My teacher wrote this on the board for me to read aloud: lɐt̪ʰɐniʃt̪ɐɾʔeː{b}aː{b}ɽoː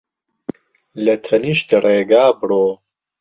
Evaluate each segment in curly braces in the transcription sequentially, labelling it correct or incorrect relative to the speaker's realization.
incorrect: ɡ, correct

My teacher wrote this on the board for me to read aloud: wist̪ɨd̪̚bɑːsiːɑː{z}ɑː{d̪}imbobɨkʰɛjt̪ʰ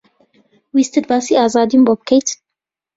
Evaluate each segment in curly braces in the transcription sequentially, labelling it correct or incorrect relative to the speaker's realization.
correct, correct

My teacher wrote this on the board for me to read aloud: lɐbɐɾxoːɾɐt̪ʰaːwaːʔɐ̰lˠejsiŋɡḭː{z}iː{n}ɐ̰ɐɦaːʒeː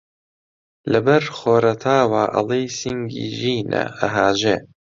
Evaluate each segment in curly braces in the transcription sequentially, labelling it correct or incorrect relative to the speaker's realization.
incorrect: ʒ, correct

